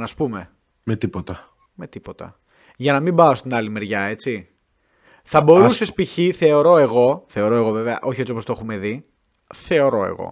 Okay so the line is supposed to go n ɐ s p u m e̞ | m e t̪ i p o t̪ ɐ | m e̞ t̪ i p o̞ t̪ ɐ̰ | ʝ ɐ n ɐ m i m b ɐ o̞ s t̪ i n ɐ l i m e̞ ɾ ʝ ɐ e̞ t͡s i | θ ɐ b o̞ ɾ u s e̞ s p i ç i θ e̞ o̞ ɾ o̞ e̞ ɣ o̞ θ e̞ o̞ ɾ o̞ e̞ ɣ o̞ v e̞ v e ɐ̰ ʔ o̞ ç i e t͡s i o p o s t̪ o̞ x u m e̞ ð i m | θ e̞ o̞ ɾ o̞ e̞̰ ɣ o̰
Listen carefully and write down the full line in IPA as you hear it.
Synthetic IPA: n ɐ s p u m e̞ | m e t̪ i p o t̪ ɐ | m e̞ t̪ i p o̞ t̪ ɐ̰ | ʝ ɐ n ɐ m i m b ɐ o̞ s t̪ i n ɐ l i m e̞ ɾ ʝ ɐ e̞ t͡s i | θ ɐ b o̞ ɾ u s e̞ s p i ç i θ e̞ o̞ ɾ o̞ e̞ ɣ o̞ θ e̞ o̞ ɾ o̞ e̞ ɣ o̞ v e̞ v e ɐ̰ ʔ o̞ ç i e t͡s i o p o s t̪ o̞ x u m e̞ ð i | θ e̞ o̞ ɾ o̞ e̞̰ ɣ o̰